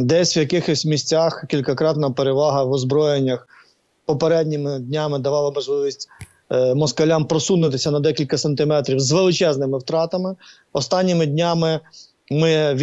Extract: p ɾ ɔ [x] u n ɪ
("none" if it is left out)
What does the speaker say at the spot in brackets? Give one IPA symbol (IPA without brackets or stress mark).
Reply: s